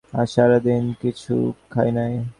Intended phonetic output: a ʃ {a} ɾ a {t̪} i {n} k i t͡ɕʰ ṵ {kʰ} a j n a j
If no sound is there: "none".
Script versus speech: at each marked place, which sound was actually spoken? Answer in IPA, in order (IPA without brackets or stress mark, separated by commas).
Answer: a, d̪, n, kʰ